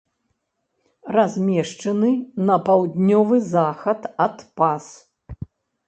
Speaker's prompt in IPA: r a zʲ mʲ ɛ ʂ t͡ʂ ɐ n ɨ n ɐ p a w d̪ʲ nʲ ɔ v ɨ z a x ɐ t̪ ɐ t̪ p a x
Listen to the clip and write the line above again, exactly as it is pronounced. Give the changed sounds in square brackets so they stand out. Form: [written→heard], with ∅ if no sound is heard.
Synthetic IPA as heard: r a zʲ mʲ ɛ ʂ t͡ʂ ɐ n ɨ n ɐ p a w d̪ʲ nʲ ɔ v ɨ z a x ɐ t̪ ɐ t̪ p a [x→s]